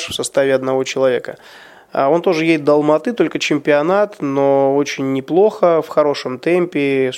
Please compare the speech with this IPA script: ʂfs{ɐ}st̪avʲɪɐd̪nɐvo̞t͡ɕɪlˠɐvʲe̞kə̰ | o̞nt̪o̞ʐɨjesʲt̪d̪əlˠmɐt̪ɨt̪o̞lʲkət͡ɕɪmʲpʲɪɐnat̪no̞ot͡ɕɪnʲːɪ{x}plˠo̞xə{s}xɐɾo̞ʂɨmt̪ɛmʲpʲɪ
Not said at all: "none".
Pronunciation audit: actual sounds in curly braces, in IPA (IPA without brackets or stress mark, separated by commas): ɐ, none, f